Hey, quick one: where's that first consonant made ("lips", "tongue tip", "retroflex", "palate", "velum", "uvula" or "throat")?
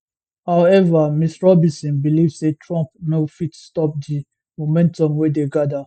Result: throat